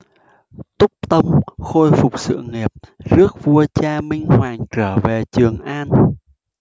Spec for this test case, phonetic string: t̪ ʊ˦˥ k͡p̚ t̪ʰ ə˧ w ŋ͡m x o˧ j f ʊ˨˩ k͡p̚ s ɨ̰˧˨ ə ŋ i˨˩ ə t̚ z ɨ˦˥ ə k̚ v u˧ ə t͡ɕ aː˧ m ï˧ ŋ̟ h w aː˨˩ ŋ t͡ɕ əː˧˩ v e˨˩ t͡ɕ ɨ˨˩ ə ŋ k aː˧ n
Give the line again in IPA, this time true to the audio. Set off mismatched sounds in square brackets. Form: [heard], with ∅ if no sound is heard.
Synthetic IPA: t̪ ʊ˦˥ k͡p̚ [t̪] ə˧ w ŋ͡m x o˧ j f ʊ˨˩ k͡p̚ s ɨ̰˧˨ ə ŋ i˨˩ ə [p̚] z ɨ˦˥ ə k̚ v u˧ ə t͡ɕ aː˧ m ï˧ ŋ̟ h w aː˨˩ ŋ t͡ɕ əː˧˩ v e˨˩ t͡ɕ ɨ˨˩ ə ŋ [ʔ] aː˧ n